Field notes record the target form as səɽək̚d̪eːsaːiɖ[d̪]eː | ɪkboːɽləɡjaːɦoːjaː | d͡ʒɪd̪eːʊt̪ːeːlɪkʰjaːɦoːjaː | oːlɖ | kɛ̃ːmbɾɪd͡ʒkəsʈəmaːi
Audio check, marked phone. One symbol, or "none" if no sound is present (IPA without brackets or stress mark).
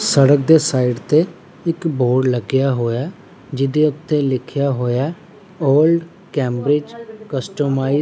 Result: t̪